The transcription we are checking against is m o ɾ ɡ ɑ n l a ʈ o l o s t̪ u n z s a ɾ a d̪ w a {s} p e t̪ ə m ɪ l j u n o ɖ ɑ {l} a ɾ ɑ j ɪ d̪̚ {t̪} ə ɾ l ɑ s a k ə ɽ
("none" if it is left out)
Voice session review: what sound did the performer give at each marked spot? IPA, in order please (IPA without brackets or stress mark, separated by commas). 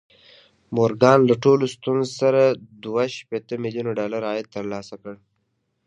ʃ, l, t̪